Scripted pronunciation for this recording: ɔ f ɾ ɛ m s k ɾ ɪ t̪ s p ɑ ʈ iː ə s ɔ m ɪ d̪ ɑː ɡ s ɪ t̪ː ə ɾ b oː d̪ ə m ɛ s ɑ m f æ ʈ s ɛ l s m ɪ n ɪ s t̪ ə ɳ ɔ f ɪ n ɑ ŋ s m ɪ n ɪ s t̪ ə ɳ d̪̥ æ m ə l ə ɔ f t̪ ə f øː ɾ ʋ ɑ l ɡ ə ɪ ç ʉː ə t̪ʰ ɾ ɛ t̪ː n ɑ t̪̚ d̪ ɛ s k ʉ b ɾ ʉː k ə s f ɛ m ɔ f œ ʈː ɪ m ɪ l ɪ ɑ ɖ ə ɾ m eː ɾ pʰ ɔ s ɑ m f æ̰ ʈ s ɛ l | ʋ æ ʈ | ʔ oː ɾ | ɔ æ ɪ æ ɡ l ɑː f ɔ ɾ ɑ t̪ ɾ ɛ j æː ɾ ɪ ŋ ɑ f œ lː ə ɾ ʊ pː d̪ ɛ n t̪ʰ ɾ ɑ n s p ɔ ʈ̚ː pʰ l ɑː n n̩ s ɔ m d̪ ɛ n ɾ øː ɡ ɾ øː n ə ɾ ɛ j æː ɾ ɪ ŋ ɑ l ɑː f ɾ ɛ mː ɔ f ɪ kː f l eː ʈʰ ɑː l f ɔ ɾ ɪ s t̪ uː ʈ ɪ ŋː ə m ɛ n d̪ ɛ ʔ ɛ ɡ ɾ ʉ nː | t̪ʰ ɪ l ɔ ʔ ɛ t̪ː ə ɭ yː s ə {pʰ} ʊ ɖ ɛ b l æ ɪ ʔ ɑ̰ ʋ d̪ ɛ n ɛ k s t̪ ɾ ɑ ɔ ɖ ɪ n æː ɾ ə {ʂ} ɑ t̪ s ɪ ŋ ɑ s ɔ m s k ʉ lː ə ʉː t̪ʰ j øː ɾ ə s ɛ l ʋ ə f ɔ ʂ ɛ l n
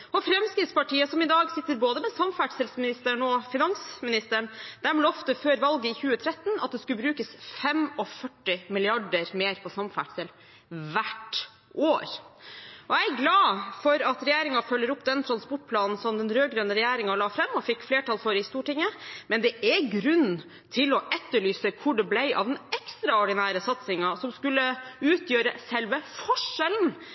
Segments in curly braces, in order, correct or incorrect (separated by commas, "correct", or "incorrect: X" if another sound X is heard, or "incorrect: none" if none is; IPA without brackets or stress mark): incorrect: kʰ, incorrect: s